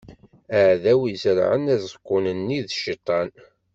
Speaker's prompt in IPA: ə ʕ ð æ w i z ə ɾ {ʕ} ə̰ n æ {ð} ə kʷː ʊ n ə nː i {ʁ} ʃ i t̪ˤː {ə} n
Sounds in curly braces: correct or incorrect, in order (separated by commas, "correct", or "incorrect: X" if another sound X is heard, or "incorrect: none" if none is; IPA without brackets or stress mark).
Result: correct, incorrect: z, incorrect: ð, incorrect: ɑ